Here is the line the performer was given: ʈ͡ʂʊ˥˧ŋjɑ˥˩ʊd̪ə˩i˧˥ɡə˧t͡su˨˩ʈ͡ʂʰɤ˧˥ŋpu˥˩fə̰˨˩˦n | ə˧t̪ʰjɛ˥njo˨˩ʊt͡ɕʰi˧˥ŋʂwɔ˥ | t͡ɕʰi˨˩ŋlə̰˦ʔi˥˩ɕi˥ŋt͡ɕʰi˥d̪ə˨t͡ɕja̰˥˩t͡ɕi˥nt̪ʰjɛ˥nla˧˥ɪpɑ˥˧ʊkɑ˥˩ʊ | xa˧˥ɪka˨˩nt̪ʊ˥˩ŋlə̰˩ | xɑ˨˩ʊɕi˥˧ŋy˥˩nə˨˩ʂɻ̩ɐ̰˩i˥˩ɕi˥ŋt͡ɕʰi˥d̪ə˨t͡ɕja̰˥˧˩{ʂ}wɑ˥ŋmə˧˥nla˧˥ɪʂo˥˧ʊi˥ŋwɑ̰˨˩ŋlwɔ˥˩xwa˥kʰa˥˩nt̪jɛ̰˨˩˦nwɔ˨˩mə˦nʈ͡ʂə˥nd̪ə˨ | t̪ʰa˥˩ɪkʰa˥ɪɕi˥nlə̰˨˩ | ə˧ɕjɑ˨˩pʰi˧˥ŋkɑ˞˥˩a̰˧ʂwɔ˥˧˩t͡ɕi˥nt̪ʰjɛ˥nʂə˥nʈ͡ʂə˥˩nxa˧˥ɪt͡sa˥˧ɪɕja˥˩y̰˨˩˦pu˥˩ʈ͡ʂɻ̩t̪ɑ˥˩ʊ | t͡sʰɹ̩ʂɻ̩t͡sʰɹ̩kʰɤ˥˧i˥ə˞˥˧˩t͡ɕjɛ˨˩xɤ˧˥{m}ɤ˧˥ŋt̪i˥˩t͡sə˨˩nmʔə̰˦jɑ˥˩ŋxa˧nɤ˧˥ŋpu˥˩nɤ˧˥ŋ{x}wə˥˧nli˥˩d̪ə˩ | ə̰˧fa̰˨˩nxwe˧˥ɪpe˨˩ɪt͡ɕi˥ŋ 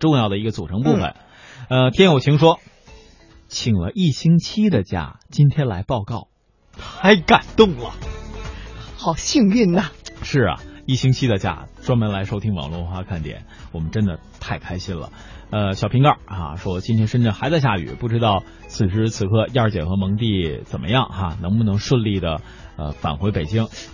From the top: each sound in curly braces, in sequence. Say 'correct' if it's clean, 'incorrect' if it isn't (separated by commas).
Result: incorrect, correct, incorrect